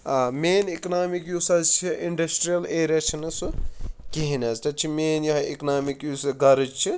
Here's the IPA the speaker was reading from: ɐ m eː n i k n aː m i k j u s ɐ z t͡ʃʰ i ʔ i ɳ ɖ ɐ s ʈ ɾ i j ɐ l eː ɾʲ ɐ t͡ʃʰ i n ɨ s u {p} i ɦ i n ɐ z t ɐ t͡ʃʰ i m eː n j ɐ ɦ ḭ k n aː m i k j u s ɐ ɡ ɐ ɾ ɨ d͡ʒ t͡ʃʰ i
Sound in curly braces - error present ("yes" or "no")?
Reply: yes